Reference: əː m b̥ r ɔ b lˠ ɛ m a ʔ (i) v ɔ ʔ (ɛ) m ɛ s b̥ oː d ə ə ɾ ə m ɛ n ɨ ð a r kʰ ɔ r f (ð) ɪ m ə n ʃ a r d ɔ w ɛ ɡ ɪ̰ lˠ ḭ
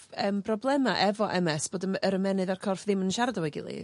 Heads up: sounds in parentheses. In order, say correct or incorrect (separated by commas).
incorrect, correct, correct